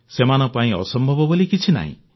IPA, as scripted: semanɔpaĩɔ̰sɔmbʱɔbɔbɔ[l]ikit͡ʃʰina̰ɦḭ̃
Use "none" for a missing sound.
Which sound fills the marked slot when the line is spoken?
l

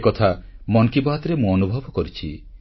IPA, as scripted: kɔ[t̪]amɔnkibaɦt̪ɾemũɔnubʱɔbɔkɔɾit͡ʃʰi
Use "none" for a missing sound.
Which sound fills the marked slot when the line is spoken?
t̪ʰ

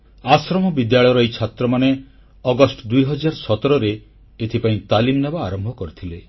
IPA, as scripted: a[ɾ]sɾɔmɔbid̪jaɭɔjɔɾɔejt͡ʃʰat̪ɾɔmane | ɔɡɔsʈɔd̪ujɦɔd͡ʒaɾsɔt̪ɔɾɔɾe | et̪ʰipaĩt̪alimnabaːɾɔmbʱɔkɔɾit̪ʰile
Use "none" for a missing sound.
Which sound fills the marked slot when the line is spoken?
none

